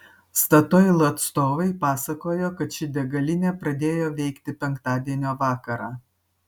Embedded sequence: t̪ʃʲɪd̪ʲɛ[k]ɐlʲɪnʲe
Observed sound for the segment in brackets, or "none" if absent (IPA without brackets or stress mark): ɡ